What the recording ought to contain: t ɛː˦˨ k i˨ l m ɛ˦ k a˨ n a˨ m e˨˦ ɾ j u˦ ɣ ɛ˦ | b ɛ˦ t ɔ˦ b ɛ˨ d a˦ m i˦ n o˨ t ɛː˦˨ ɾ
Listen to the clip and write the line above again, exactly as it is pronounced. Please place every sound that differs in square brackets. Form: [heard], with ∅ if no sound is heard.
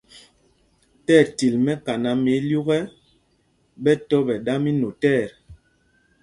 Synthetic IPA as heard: t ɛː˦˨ [t] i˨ l m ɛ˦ k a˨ n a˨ m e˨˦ [l] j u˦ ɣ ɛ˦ | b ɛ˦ t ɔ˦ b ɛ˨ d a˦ m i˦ n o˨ t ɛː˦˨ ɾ